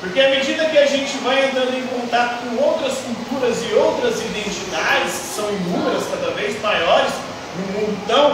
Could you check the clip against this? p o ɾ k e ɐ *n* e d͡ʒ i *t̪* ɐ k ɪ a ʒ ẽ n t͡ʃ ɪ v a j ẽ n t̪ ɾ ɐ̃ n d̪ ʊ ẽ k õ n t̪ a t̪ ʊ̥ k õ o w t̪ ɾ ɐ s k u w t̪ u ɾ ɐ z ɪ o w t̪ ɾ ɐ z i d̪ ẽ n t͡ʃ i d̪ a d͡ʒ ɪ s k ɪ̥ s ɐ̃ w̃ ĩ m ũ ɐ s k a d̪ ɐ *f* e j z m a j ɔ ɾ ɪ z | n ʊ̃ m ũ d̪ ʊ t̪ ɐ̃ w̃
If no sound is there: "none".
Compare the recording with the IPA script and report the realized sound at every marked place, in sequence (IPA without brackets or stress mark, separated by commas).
m, d̪, v